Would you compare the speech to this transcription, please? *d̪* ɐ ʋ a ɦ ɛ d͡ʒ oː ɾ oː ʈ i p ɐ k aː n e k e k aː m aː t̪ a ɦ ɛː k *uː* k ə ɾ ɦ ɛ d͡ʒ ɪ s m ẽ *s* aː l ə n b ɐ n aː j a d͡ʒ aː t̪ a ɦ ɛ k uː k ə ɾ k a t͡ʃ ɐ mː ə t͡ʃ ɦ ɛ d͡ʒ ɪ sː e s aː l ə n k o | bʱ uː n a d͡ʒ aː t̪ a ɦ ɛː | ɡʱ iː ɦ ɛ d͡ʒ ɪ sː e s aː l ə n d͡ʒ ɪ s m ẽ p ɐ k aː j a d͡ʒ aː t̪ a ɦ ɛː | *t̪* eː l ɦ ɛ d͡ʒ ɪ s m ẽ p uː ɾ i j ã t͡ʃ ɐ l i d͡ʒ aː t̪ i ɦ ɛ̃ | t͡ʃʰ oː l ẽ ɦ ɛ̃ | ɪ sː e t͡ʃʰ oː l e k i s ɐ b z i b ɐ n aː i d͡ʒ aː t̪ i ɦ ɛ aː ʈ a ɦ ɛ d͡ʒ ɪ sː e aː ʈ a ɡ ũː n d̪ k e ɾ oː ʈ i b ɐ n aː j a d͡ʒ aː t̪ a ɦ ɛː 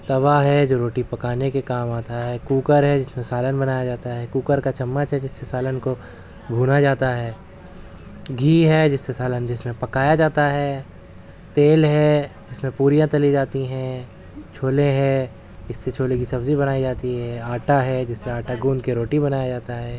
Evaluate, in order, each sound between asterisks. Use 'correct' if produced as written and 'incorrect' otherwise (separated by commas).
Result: incorrect, correct, correct, correct